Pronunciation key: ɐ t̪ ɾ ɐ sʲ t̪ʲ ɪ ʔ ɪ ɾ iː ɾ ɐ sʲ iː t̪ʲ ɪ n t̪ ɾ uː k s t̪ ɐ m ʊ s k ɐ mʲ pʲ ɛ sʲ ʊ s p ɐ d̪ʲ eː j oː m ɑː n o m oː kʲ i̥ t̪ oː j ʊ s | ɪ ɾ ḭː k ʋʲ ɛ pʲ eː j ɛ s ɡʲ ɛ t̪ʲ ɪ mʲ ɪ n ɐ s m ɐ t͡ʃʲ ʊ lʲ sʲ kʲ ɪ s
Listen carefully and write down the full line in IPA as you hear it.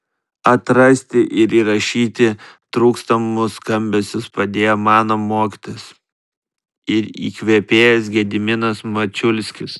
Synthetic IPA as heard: ɐ t̪ ɾ ɐ sʲ t̪ʲ ɪ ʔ ɪ ɾ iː ɾ ɐ ʃʲ iː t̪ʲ ɪ t̪ ɾ uː k s t̪ ɐ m ʊ s k ɐ mʲ bʲ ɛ sʲ ʊ s p ɐ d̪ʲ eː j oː m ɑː n o m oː kʲ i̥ t̪ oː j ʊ s | ɪ ɾ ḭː k ʋʲ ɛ pʲ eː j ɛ s ɡʲ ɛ d̪ʲ ɪ mʲ ɪ n ɐ s m ɐ t͡ʃʲ ʊ lʲ sʲ kʲ ɪ s

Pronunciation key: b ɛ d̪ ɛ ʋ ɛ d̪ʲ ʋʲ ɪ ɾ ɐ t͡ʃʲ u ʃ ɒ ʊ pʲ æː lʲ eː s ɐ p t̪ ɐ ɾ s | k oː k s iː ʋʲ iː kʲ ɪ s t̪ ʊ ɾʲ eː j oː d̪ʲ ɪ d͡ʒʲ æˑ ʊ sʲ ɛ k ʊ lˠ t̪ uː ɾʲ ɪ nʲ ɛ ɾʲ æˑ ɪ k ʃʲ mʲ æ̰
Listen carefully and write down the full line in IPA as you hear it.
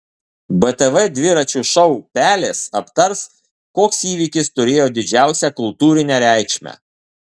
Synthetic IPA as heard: b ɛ t̪ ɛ ʋ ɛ d̪ʲ ʋʲ ɪ ɾ ɐ t͡ʃʲ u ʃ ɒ ʊ pʲ æː lʲ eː s ɐ p t̪ ɐ ɾ s | k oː k s iː ʋʲ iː kʲ ɪ s t̪ ʊ ɾʲ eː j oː d̪ʲ ɪ d͡ʒʲ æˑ ʊ sʲ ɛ k ʊ lˠ t̪ uː ɾʲ ɪ nʲ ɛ ɾʲ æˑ ɪ k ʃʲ mʲ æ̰

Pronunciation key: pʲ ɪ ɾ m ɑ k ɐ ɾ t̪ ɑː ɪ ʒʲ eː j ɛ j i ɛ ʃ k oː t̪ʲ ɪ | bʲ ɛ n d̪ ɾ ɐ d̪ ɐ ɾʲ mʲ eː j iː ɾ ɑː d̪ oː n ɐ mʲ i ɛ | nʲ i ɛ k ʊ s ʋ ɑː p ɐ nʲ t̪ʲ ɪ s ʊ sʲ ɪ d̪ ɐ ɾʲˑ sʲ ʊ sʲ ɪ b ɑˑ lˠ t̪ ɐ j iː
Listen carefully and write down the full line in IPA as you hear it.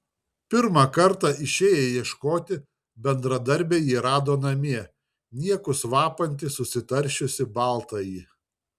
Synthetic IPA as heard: pʲ ɪ ɾ m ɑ k ɐ ɾ t̪ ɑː ɪ ʃʲ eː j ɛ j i ɛ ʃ k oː t̪ʲ ɪ | bʲ ɛ n d̪ ɾ ɐ d̪ ɐ ɾʲ bʲ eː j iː ɾ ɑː d̪ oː n ɐ mʲ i ɛ | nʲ i ɛ k ʊ s ʋ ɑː p ɐ nʲ t̪ʲ ɪ s ʊ sʲ ɪ t̪ ɐ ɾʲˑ ʃʲ ʊ sʲ ɪ b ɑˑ lˠ t̪ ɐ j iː

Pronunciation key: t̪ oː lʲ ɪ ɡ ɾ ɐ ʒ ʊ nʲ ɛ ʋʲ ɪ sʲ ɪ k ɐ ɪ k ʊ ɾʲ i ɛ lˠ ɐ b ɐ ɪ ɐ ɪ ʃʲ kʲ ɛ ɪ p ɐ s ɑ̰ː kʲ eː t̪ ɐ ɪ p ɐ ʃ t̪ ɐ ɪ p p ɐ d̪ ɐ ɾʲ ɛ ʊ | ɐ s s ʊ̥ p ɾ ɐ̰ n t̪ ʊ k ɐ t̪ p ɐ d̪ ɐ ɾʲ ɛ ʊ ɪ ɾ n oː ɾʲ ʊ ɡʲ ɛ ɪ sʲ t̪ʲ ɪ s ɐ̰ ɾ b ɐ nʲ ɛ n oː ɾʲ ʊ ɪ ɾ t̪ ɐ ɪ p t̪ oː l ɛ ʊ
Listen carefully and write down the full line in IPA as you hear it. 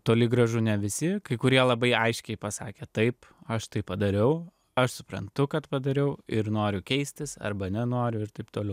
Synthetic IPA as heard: t̪ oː lʲ ɪ ɡ ɾ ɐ ʒ ʊ nʲ ɛ ʋʲ ɪ sʲ ɪ k ɐ ɪ k ʊ ɾʲ i ɛ lˠ ɐ b ɐ ɪ ɐ ɪ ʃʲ kʲ ɛ ɪ p ɐ s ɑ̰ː kʲ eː t̪ ɐ ɪ p ɐ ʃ t̪ ɐ ɪ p p ɐ d̪ ɐ ɾʲ ɛ ʊ | ɐ ʃ s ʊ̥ p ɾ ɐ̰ n t̪ ʊ k ɐ t̪ p ɐ d̪ ɐ ɾʲ ɛ ʊ ɪ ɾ n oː ɾʲ ʊ kʲ ɛ ɪ sʲ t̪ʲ ɪ s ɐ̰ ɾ b ɐ nʲ ɛ n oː ɾʲ ʊ ɪ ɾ t̪ ɐ ɪ p t̪ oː l ɛ ʊ

